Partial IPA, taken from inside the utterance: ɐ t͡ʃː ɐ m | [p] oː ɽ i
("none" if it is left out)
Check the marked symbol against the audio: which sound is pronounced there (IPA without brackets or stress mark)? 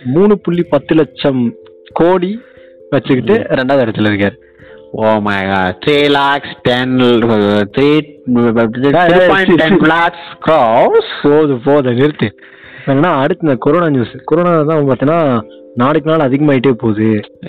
k